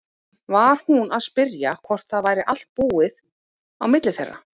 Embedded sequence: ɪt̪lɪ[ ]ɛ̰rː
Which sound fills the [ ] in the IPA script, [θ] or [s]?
θ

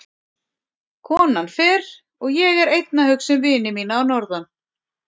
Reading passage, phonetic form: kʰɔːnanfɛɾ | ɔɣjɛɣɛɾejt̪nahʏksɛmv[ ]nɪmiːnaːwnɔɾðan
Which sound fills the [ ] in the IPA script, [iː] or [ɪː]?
ɪː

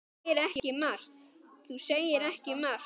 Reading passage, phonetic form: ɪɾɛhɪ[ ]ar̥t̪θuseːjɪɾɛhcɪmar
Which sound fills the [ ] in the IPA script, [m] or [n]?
m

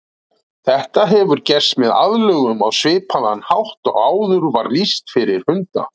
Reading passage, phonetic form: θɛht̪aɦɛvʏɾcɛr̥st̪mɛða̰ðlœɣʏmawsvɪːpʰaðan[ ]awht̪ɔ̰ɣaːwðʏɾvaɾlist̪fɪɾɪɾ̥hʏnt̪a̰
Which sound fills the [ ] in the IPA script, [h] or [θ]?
h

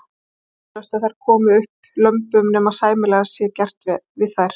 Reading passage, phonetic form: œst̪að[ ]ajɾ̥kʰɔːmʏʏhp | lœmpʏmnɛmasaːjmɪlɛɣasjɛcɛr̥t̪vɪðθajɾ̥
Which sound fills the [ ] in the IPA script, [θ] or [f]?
θ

